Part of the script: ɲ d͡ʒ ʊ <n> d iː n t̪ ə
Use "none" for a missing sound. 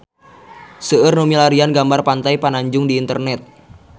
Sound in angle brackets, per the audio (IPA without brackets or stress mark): ŋ